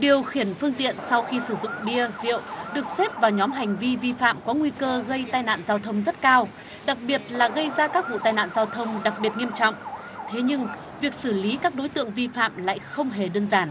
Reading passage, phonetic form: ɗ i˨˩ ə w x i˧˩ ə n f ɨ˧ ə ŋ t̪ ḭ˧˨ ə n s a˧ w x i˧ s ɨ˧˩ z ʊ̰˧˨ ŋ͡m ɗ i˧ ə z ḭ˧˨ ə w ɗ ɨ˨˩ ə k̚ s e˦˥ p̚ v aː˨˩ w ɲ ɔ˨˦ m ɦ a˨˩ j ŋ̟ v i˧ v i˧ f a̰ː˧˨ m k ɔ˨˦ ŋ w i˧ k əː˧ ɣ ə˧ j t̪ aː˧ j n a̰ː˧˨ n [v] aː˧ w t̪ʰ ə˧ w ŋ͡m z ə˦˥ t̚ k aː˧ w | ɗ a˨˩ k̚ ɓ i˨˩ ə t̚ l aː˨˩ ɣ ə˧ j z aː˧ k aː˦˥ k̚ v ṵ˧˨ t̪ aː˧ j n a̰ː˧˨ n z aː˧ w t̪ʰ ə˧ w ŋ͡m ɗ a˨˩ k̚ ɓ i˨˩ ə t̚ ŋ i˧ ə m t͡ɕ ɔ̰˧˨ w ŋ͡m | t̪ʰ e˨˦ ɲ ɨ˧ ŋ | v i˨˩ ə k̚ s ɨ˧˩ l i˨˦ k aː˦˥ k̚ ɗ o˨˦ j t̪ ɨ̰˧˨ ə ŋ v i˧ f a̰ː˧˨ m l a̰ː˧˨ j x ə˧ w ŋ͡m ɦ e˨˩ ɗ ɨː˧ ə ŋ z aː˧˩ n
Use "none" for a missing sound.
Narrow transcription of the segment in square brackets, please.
z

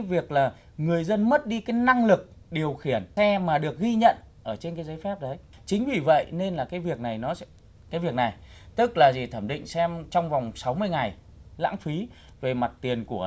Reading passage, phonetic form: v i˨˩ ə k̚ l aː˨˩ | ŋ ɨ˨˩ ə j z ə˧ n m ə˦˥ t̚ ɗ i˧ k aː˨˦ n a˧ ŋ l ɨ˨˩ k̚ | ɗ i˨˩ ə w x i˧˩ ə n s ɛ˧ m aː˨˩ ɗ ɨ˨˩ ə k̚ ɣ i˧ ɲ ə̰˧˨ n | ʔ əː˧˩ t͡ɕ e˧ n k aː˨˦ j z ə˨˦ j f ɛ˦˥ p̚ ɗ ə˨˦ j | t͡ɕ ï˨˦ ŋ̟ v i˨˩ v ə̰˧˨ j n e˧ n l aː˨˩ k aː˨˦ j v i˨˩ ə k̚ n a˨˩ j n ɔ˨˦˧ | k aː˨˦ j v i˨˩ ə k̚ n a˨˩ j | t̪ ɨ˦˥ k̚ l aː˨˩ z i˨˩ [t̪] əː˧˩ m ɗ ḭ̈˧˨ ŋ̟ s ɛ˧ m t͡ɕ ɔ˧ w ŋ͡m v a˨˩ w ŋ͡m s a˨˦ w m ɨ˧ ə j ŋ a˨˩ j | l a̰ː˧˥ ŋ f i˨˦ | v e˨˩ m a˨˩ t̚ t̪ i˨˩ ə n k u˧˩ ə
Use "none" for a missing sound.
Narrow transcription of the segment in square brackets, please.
t̪ʰ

